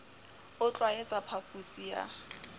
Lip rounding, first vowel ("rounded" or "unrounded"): rounded